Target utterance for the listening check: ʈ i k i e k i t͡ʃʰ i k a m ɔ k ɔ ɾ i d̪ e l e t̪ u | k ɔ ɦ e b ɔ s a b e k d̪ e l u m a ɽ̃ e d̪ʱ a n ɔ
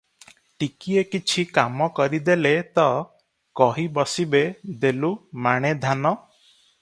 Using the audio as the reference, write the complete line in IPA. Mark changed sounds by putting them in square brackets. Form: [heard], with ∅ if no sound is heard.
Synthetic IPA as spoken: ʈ i k i e k i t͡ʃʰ i k a m ɔ k ɔ ɾ i d̪ e l e t̪ [ɔ] | k ɔ ɦ [i] b ɔ s [i] b e [∅] d̪ e l u m a ɽ̃ e d̪ʱ a n ɔ